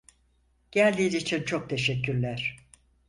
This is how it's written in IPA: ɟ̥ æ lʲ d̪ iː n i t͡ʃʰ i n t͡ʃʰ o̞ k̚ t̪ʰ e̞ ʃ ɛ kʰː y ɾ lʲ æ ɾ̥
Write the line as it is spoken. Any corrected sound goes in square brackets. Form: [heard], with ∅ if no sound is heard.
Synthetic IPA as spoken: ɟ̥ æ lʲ d̪ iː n i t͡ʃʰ i n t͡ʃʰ o̞ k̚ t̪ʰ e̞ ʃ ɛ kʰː y ɾ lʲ æ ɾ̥